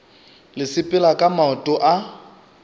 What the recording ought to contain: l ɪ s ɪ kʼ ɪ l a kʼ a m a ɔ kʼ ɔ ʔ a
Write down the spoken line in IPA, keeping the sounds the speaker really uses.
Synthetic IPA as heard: l ɪ s ɪ pʼ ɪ l a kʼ a m a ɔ tʼ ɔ ʔ a